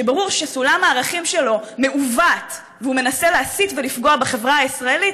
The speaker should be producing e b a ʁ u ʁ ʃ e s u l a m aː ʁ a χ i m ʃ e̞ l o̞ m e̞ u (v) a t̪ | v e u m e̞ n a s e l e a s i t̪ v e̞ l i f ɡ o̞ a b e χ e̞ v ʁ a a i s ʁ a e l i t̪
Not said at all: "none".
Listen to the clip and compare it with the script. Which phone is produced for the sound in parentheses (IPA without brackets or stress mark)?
v